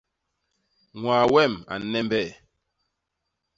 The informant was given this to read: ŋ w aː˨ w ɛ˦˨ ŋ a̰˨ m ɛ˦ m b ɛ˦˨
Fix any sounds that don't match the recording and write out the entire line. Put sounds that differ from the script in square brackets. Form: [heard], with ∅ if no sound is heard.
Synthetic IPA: ŋ w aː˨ w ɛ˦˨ [m] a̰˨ [n] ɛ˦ m b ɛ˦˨